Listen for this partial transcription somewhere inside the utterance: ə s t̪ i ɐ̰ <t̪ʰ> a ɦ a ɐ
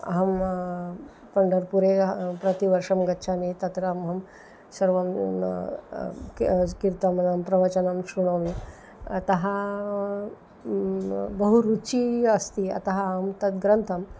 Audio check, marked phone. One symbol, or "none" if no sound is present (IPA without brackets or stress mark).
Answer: t̪